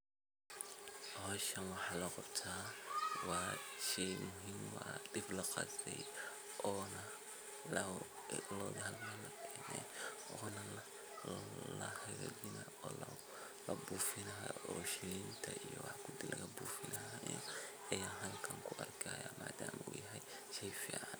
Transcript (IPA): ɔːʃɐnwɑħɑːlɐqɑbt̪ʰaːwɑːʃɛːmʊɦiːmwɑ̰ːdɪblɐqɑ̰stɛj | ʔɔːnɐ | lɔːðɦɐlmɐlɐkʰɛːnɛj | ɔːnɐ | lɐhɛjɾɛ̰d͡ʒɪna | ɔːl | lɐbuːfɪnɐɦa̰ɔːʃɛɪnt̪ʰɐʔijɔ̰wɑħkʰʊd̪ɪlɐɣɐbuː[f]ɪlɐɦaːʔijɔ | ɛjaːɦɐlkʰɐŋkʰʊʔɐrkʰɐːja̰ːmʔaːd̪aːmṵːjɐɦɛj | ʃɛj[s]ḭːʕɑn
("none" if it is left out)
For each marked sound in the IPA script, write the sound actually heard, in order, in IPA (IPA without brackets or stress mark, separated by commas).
f, f